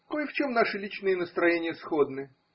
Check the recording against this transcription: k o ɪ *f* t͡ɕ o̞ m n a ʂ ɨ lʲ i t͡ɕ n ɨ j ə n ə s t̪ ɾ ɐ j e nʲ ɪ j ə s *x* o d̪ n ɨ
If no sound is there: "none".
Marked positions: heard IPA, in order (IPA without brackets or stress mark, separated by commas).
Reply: f, x